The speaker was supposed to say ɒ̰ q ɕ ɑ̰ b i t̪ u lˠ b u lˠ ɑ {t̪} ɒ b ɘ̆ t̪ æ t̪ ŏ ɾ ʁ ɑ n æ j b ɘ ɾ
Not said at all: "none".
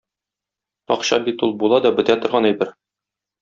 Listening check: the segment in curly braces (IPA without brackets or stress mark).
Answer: d̪